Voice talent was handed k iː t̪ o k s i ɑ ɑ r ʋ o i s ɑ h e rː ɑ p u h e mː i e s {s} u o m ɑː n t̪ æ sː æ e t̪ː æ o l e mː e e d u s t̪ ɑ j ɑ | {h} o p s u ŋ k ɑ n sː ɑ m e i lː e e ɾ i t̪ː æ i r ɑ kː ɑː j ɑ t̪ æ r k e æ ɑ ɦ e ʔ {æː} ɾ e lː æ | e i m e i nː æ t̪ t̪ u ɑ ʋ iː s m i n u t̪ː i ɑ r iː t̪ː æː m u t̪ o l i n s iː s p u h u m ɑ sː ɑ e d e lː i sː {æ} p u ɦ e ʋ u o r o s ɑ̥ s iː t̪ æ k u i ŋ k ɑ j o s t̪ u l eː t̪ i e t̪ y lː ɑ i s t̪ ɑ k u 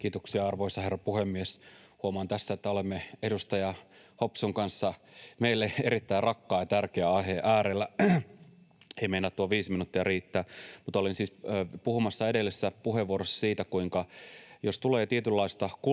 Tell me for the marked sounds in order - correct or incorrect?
incorrect: h, correct, correct, correct

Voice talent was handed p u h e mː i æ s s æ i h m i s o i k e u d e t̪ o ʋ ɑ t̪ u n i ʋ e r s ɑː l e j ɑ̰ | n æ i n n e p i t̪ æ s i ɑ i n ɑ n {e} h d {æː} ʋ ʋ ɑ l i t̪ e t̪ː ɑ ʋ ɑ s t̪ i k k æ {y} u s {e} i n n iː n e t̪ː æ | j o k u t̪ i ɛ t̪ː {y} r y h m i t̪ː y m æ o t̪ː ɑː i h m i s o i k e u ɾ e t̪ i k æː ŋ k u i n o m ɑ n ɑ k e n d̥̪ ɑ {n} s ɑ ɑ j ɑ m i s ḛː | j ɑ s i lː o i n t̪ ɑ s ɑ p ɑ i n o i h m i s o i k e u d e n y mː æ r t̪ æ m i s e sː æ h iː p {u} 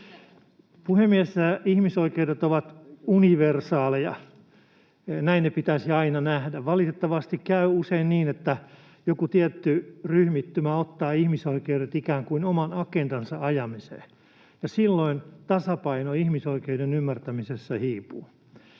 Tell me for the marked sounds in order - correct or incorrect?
incorrect: æ, incorrect: æ, correct, correct, correct, correct, incorrect: uː

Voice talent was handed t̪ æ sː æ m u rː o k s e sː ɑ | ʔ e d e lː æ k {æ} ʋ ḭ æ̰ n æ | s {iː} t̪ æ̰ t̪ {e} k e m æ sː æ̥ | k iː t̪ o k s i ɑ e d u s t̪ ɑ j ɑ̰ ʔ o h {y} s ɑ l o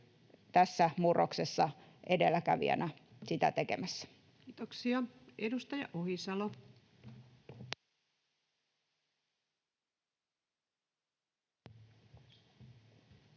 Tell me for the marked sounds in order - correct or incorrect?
correct, incorrect: i, correct, incorrect: i

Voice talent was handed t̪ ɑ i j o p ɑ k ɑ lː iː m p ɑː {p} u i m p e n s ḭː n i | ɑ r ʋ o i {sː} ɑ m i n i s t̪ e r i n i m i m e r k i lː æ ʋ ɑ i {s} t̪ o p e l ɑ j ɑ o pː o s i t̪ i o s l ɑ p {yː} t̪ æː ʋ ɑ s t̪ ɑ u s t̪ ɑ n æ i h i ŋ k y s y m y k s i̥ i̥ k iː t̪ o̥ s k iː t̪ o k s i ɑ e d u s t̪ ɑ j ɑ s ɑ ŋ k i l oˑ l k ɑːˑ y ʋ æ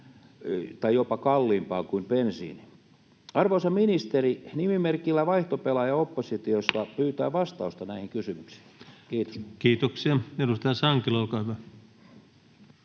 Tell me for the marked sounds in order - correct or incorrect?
incorrect: k, incorrect: s, incorrect: h, correct

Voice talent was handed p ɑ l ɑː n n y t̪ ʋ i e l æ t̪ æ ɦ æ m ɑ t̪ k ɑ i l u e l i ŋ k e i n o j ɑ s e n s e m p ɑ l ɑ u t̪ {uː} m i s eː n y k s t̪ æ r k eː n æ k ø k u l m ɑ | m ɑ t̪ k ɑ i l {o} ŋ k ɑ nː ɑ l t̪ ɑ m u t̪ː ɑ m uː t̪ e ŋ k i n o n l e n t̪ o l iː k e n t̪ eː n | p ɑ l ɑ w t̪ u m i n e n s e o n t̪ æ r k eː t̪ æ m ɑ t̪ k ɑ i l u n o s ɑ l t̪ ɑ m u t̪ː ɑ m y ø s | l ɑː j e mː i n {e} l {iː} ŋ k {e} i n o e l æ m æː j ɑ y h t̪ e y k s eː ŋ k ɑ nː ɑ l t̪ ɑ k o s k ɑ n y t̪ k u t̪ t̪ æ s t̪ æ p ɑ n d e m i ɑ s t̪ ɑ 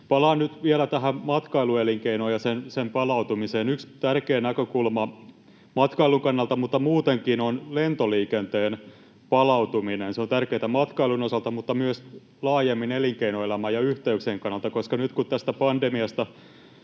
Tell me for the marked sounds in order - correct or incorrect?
incorrect: u, incorrect: u, correct, incorrect: i, correct

